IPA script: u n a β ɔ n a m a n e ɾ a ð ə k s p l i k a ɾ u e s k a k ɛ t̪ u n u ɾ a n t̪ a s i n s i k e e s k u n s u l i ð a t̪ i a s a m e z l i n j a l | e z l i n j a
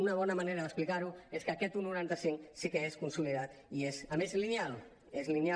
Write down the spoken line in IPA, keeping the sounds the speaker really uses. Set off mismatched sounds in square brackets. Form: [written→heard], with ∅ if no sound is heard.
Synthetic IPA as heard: u n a β ɔ n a m a n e ɾ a ð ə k s p l i k a ɾ u e s k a k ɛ t̪ u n u ɾ a n t̪ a s i [n→ŋ] s i k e e s k u n s u l i ð a t̪ i [a→e] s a m e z l i n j a l | e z l i n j a